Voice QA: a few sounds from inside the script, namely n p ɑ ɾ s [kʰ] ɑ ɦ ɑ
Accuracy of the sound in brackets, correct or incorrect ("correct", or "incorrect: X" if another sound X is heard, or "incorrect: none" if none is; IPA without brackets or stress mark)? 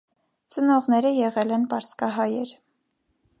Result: incorrect: k